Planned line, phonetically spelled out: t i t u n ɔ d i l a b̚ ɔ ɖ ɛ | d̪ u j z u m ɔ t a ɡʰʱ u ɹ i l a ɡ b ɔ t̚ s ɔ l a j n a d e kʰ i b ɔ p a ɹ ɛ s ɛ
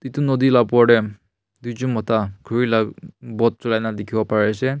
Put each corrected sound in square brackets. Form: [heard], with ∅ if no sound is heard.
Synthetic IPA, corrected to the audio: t i t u n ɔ d i l a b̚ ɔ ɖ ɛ | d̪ u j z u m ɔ t a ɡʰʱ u ɹ i l a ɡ b ɔ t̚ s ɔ l a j n a d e kʰ i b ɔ p a ɹ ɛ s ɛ